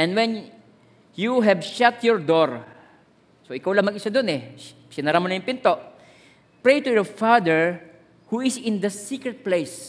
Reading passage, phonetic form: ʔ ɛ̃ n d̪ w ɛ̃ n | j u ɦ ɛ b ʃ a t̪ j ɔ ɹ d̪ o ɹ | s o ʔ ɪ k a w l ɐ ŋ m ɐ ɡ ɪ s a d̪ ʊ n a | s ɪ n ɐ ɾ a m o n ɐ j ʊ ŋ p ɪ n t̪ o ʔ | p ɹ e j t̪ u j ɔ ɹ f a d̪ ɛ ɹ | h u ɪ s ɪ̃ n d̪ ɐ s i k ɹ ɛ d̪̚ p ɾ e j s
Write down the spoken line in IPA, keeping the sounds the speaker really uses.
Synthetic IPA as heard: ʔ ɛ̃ n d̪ w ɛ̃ n | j u ɦ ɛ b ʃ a t̪ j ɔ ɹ d̪ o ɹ | s o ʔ ɪ k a w l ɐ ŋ m ɐ ɡ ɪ s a d̪ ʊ n ɛ | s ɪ n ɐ ɾ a m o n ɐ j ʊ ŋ p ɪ n t̪ o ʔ | p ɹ e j t̪ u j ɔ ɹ f a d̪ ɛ ɹ | h u ɪ s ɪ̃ n d̪ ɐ s i k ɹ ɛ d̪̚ p l e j s